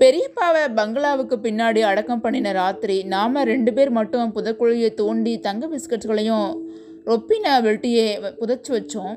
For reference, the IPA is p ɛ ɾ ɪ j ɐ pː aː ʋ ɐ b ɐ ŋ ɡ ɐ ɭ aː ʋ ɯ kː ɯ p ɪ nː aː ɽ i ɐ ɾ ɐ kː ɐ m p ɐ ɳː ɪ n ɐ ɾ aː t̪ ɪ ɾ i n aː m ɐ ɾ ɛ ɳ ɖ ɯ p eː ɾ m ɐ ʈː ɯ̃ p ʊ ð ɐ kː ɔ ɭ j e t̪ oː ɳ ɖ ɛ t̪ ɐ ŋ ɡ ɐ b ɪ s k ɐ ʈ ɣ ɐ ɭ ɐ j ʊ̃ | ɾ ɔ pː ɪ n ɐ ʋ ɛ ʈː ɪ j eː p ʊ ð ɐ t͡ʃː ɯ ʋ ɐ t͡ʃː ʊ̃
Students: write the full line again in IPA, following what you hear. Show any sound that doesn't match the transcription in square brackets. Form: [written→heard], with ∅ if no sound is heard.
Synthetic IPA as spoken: p ɛ ɾ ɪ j ɐ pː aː ʋ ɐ b ɐ ŋ ɡ ɐ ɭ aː ʋ ɯ kː ɯ p ɪ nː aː ɽ i ɐ [ɾ→ɽ] ɐ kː ɐ m p ɐ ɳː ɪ n ɐ ɾ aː t̪ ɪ ɾ i n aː m ɐ ɾ ɛ ɳ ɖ ɯ p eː ɾ m ɐ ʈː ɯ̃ p ʊ ð ɐ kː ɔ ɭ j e t̪ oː ɳ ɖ [ɛ→i] t̪ ɐ ŋ ɡ ɐ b ɪ s k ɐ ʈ ɣ ɐ ɭ ɐ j ʊ̃ | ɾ ɔ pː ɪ n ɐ ʋ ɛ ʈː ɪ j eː p ʊ ð ɐ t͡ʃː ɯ ʋ ɐ t͡ʃː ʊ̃